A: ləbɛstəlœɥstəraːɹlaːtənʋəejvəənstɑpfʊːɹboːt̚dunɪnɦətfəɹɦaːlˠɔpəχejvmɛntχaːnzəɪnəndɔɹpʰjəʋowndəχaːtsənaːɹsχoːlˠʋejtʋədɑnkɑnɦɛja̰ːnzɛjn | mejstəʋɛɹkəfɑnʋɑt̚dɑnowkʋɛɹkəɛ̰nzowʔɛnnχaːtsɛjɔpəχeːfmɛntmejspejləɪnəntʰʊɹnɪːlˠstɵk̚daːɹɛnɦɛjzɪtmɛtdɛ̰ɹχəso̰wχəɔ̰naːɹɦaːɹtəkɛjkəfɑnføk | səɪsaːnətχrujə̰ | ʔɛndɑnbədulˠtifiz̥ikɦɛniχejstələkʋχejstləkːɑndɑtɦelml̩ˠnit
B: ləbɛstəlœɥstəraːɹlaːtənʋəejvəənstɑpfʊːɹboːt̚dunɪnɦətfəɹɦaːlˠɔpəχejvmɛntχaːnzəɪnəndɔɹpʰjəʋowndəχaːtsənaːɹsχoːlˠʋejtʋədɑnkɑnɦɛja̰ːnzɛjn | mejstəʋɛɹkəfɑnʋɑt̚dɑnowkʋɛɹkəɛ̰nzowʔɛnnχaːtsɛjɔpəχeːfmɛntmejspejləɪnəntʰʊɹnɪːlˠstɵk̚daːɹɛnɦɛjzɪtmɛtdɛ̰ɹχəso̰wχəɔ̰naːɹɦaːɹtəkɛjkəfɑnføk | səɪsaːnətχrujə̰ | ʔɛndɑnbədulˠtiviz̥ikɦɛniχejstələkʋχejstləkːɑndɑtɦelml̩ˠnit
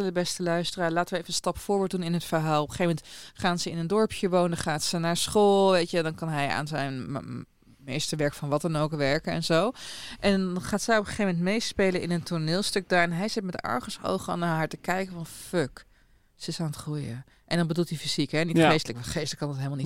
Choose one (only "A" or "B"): A